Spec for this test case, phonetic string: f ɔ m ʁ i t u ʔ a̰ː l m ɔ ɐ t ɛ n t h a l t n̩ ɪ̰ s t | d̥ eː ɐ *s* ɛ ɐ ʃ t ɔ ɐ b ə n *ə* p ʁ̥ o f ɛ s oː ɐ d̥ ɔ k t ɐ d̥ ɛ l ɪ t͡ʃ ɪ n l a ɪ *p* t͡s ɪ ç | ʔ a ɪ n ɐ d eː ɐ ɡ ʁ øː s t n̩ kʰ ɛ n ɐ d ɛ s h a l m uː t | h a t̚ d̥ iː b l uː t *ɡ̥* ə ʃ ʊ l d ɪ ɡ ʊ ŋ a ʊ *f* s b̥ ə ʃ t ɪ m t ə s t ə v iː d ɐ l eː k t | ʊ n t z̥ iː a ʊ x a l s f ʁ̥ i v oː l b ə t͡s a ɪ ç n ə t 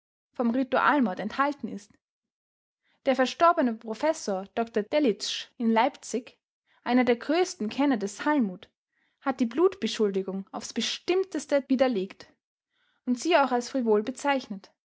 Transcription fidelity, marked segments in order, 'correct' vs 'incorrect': incorrect, correct, correct, incorrect, correct

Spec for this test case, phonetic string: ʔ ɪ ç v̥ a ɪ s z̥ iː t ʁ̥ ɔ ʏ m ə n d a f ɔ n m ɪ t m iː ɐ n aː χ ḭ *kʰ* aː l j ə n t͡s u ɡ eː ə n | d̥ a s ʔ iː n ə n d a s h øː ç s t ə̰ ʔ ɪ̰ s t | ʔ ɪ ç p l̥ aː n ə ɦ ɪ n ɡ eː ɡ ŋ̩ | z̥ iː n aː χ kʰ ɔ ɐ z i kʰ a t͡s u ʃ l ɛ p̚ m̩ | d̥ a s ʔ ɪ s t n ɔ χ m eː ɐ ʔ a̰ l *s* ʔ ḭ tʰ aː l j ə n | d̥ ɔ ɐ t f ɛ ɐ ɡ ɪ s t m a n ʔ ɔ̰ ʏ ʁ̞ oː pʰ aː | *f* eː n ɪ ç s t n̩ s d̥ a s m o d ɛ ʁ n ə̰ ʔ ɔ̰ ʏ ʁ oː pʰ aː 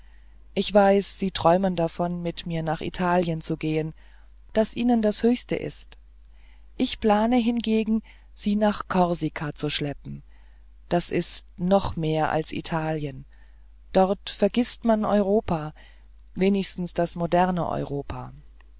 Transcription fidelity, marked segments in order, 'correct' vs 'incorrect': incorrect, correct, incorrect

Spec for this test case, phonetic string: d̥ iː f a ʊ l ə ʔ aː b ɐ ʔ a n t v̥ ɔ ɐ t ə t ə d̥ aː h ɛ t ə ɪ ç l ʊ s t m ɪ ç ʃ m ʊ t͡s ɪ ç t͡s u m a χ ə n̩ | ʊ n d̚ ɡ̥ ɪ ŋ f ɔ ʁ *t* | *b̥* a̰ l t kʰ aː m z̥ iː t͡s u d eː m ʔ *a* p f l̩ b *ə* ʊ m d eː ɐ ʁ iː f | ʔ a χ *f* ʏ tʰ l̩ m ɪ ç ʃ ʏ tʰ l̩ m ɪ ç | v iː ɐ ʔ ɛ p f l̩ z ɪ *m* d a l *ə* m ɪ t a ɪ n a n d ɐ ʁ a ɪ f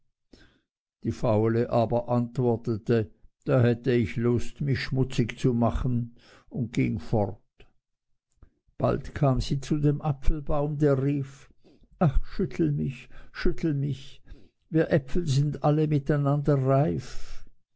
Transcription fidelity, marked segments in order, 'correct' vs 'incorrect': correct, correct, correct, incorrect, incorrect, incorrect, correct

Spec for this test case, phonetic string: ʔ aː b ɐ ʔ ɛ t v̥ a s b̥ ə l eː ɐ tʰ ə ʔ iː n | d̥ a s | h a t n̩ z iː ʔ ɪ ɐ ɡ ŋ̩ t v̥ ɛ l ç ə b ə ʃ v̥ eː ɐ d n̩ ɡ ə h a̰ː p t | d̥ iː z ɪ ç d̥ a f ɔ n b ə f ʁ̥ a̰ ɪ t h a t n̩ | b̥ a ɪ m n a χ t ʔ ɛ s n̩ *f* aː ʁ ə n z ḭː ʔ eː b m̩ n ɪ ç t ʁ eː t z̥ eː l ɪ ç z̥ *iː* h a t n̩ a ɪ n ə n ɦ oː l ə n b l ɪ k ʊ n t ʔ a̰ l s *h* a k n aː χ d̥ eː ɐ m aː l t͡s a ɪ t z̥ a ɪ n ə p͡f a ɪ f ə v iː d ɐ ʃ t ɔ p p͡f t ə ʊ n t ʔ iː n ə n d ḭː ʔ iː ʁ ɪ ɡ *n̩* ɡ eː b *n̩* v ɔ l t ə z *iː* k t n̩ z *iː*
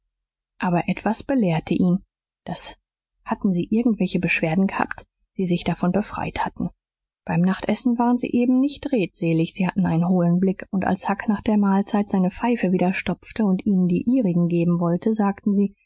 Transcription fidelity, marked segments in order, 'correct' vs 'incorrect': incorrect, correct, correct, incorrect, incorrect, incorrect, correct

